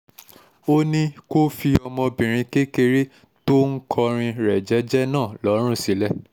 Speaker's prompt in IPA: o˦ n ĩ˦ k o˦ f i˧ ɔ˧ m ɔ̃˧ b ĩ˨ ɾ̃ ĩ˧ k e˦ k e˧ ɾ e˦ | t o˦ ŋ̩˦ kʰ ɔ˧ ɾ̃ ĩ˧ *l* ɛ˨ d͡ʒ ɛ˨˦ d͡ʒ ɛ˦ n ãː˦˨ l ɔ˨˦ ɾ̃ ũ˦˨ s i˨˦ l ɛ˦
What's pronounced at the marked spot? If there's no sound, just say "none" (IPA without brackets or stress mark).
ɾ